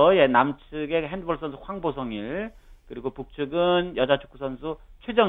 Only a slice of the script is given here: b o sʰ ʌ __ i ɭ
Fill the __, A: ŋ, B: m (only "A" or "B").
A